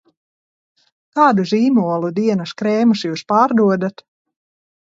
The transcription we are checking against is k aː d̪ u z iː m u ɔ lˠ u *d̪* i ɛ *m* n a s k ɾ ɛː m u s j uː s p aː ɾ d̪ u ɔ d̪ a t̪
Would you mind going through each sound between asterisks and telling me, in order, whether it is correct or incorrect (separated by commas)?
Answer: correct, incorrect